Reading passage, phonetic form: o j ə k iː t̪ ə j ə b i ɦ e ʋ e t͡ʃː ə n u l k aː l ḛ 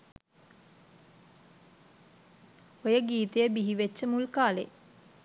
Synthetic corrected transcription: o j ə ɡ iː t̪ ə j ə b i ɦ i ʋ e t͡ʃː ə m u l k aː l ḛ